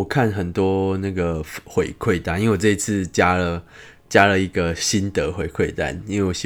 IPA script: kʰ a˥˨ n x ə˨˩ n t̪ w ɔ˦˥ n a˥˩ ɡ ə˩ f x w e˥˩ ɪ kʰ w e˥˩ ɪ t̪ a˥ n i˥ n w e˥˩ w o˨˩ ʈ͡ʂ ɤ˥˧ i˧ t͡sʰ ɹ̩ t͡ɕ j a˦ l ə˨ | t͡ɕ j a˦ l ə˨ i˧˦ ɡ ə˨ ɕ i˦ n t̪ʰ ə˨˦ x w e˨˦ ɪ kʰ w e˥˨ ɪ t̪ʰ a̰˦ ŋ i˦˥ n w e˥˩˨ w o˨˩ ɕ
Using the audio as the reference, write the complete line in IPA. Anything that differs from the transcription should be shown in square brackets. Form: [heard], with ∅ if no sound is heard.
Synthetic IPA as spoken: kʰ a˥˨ n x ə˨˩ n t̪ w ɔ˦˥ n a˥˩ ɡ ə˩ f x w [e˨˩] ɪ kʰ w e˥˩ ɪ t̪ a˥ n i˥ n w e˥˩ w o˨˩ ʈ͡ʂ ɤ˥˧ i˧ t͡sʰ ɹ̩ t͡ɕ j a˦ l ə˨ | t͡ɕ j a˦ l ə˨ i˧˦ ɡ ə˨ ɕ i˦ n [t̪] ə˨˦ x w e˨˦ ɪ kʰ w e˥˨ ɪ [t̪] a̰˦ [n] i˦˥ n w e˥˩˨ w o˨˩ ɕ